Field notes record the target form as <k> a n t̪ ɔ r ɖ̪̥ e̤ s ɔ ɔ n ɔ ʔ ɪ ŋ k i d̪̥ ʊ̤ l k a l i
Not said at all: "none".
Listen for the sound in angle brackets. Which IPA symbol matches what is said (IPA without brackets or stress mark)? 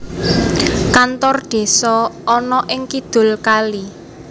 k